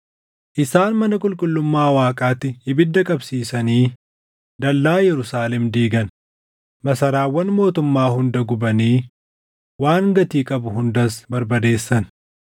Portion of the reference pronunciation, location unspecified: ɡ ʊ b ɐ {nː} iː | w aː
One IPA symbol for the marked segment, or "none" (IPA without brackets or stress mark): n